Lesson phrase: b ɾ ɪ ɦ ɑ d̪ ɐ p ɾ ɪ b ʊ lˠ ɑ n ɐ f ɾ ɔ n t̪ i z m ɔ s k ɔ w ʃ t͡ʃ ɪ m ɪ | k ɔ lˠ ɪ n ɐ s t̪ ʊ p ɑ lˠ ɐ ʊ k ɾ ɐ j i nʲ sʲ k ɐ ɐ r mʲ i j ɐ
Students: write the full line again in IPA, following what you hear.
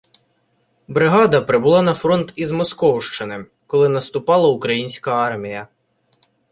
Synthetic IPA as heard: b ɾ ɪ ɦ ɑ d̪ ɐ p ɾ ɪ b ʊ lˠ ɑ n ɐ f ɾ ɔ n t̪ i z m ɔ s k ɔ w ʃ t͡ʃ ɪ n ɪ | k ɔ lˠ ɪ n ɐ s t̪ ʊ p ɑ lˠ ɐ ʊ k ɾ ɐ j i nʲ sʲ k ɐ ɑ r mʲ i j ɐ